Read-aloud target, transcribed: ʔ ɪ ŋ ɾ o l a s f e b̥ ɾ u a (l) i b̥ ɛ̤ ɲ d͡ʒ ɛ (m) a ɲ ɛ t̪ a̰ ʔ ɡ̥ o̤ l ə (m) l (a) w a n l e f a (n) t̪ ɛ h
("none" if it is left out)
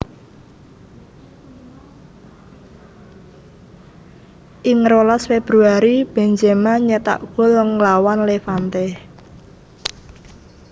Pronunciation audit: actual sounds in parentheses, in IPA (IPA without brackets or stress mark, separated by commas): ɾ, m, ŋ, a, n